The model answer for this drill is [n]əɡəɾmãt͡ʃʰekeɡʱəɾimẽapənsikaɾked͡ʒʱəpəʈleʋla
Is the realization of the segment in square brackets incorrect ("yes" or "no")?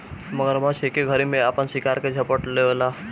yes